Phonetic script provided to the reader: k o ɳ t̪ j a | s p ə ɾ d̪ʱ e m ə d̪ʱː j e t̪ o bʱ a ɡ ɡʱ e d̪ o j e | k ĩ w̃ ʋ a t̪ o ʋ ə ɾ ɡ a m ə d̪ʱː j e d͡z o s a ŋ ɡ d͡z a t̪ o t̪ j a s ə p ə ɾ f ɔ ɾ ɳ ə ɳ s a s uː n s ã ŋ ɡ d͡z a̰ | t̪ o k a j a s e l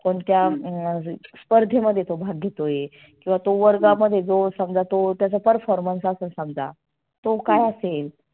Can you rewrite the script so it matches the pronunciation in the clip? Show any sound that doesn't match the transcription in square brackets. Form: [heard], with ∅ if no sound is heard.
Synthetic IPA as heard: k o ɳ t̪ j a | s p ə ɾ d̪ʱ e m ə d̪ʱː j e t̪ o bʱ a ɡ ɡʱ e [t̪] o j e | k ĩ w̃ ʋ a t̪ o ʋ ə ɾ ɡ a m ə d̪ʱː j e d͡z o s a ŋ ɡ d͡z a t̪ o t̪ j a [t͡s] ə p ə ɾ f ɔ ɾ [m] ə [n] s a s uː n s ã ŋ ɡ d͡z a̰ | t̪ o k a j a s e l